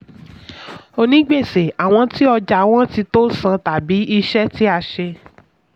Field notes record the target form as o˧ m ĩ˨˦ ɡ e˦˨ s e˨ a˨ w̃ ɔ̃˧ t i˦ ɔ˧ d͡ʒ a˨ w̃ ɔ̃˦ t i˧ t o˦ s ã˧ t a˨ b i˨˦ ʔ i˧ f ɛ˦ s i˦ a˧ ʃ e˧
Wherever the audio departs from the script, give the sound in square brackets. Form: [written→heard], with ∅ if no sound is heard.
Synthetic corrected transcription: o˧ [m→n] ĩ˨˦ [ɡ→ɡ͡b] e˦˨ s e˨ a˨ w̃ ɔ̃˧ t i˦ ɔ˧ d͡ʒ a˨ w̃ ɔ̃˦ t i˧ t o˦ s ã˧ t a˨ b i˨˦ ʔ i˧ [f→ʃ] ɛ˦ [s→t] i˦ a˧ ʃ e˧